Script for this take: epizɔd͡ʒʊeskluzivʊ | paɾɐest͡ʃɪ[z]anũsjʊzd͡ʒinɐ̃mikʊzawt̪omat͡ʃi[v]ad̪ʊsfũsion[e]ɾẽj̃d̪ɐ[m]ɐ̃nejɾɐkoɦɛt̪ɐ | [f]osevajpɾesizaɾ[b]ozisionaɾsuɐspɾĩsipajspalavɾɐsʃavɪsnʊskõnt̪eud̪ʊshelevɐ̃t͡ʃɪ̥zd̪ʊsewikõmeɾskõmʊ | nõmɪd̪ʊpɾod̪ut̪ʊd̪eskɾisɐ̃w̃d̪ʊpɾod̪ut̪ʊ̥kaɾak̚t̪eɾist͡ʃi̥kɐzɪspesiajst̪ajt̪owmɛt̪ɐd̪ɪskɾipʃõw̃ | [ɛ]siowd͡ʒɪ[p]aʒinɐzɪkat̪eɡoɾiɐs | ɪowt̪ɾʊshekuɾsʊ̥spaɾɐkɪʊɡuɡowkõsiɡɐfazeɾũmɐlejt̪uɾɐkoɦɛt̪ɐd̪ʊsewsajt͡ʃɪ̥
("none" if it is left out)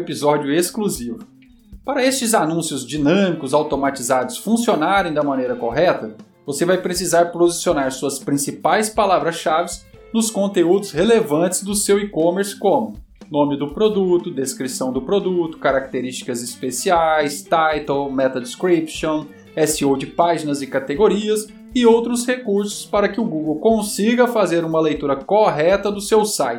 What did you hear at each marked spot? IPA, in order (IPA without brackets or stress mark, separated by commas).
z, z, a, m, v, p, ɛ, p